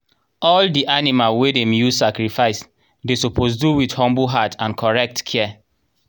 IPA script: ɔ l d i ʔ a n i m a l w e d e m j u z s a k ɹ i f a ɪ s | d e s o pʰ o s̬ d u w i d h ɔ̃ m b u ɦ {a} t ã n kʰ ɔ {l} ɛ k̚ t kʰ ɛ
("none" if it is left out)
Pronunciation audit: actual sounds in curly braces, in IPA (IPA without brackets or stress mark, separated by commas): a, ɹ